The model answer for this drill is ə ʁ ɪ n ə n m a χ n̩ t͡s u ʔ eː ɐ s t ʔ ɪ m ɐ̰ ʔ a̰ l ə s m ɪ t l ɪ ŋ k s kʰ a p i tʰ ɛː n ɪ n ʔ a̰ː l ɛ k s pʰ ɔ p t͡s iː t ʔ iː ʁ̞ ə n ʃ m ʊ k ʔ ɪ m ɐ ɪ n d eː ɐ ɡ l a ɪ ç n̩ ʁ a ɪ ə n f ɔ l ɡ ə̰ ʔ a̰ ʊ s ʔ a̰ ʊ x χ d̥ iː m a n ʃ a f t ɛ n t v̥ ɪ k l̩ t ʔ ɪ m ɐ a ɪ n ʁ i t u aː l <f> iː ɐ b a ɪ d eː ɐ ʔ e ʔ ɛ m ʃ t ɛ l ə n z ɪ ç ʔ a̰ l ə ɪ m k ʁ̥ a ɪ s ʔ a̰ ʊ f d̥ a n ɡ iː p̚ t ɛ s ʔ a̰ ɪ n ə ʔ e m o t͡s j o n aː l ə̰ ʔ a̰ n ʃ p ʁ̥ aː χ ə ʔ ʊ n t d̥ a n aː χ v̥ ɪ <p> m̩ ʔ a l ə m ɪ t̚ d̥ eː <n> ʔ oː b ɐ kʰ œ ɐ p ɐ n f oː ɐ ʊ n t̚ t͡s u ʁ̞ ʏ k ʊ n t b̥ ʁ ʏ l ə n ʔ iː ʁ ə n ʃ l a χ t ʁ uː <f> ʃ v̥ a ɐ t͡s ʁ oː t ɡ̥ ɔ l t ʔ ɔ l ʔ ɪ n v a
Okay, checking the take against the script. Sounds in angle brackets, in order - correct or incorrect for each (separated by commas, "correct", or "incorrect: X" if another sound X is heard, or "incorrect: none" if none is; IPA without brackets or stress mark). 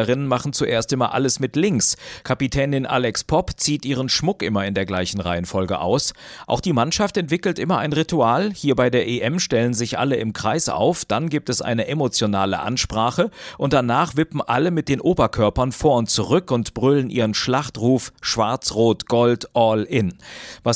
incorrect: h, correct, correct, correct